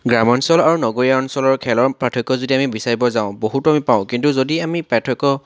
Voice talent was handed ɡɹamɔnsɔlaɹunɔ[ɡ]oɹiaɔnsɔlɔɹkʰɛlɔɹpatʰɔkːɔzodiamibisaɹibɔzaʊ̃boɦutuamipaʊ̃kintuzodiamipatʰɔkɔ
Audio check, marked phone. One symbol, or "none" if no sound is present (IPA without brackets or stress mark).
ɡ